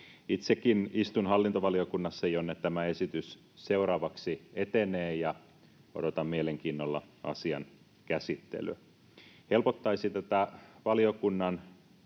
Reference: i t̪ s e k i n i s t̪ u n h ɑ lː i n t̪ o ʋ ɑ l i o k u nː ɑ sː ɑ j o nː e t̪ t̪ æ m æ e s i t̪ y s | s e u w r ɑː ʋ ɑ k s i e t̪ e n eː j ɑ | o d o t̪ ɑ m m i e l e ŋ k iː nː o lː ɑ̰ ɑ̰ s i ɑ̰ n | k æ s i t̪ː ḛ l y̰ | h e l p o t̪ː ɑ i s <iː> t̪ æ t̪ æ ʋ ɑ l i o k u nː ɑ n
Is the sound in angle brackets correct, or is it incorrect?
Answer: incorrect